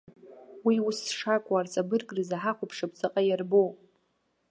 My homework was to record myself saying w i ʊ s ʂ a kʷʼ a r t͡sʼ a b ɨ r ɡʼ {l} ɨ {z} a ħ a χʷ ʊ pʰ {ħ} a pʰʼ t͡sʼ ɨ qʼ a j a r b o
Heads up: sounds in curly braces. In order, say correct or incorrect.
incorrect: r, correct, incorrect: ʂ

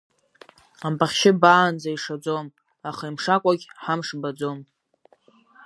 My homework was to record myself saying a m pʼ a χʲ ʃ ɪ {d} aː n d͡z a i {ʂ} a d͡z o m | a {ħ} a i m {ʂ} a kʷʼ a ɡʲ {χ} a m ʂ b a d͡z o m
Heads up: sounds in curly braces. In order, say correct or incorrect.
incorrect: b, correct, incorrect: χ, correct, incorrect: ħ

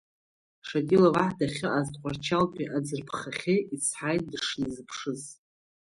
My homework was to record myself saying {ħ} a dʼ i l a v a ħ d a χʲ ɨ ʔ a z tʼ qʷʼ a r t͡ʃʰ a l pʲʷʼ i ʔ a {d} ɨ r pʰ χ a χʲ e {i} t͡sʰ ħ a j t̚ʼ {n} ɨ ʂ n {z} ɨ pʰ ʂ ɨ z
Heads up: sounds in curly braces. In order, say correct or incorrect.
incorrect: ʂ, incorrect: d͡z, correct, incorrect: d, correct

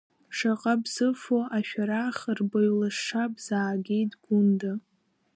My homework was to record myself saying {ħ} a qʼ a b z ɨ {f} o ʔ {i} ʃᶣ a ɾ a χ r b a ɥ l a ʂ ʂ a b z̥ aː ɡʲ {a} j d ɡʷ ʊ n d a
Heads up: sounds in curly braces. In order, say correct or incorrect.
incorrect: ʂ, correct, incorrect: a, incorrect: e

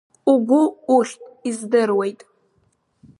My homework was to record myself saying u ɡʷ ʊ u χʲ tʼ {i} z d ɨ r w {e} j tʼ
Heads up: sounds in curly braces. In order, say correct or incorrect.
correct, correct

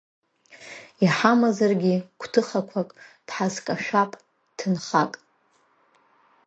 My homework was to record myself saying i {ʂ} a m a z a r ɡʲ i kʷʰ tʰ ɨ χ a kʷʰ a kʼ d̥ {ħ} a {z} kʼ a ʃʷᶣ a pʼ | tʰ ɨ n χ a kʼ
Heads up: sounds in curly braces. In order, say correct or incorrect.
incorrect: ħ, correct, correct

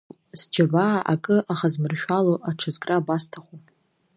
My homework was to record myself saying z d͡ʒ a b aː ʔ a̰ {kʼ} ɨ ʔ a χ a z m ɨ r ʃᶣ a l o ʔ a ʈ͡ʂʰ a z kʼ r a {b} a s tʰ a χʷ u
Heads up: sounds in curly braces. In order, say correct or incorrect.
correct, correct

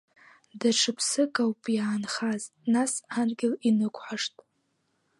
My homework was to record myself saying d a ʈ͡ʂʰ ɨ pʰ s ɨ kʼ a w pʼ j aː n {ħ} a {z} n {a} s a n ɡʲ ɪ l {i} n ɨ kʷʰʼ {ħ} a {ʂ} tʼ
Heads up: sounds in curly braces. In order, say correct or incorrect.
incorrect: χ, correct, correct, correct, correct, correct

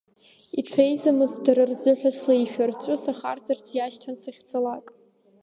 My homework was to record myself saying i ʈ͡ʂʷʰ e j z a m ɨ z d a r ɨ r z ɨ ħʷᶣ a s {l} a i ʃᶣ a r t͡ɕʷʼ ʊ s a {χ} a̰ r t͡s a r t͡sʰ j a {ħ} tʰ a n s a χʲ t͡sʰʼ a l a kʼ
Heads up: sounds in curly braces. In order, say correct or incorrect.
correct, correct, incorrect: ʃ

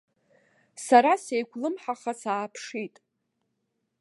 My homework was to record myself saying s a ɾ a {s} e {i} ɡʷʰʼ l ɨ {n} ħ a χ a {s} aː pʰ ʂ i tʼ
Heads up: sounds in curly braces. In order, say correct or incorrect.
correct, incorrect: j, incorrect: m, correct

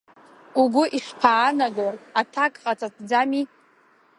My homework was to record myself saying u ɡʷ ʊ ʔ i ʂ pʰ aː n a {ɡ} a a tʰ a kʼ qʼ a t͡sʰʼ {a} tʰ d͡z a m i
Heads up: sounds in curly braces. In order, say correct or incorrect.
correct, correct

